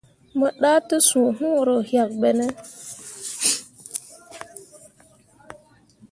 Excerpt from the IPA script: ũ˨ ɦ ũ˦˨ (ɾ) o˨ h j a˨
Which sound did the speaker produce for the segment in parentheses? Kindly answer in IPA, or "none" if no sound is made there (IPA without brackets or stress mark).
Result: ɾ